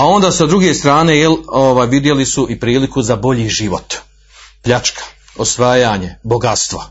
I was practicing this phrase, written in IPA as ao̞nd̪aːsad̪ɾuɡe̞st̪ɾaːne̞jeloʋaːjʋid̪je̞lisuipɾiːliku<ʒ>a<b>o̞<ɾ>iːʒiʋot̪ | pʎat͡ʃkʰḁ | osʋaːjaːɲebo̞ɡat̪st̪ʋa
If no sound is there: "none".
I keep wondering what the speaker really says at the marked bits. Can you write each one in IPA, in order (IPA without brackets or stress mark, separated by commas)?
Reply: z, b, ʎ